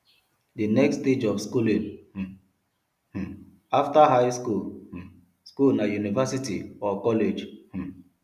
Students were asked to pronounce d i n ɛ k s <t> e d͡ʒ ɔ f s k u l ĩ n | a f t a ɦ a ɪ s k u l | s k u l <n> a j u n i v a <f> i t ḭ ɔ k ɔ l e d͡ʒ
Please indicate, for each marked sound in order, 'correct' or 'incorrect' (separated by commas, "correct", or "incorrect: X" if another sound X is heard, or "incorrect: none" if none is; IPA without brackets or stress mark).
correct, correct, incorrect: s